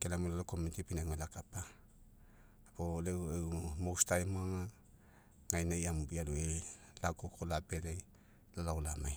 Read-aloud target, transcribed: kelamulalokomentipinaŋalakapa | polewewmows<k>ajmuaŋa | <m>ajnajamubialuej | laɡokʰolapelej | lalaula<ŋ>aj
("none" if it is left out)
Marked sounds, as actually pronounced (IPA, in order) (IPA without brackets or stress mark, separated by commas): t, ŋ, m